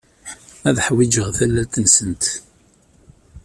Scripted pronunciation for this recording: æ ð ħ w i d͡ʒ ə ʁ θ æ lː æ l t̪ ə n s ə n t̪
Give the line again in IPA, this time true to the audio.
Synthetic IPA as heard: æ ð ħ w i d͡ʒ ə ʁ θ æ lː æ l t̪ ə n s ə n t̪